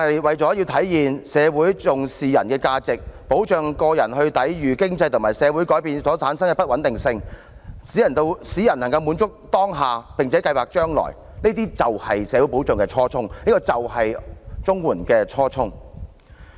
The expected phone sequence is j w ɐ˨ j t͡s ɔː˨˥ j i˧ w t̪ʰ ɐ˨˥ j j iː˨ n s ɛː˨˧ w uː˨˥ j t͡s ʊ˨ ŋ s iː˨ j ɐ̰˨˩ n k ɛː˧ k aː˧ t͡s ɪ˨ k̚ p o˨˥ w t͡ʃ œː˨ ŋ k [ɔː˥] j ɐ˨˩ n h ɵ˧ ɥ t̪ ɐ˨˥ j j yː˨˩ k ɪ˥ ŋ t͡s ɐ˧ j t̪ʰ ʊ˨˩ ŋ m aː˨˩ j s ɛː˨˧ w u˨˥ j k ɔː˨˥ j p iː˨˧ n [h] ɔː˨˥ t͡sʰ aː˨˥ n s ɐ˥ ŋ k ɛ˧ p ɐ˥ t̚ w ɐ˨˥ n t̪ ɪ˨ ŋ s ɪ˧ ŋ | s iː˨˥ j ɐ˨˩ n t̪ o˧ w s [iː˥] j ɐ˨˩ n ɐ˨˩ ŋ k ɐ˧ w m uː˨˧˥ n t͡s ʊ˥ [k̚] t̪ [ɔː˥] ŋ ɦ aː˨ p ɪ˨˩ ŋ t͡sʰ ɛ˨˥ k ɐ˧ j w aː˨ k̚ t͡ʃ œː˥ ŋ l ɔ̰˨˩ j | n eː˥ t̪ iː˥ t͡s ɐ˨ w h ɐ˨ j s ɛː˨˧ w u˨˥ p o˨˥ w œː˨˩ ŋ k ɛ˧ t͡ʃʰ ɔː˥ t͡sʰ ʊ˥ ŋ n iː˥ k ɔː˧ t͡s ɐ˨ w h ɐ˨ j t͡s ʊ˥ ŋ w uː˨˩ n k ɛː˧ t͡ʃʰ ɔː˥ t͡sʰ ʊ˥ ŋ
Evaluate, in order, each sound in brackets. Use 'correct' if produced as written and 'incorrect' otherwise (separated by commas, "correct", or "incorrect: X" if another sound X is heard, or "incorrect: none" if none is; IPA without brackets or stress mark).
incorrect: ɔː˧, incorrect: s, incorrect: iː˨˥, correct, correct